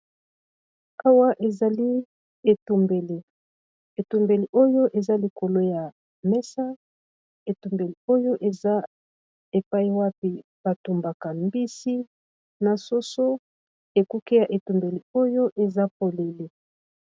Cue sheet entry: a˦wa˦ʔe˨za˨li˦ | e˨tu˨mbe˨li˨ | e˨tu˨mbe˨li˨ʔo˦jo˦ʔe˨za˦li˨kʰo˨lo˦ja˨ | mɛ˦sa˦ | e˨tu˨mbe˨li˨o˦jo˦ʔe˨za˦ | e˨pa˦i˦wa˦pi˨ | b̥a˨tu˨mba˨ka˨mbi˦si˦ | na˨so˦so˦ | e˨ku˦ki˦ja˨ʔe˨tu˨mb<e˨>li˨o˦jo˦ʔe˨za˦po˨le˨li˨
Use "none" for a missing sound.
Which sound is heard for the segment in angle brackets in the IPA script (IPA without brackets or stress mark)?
e˨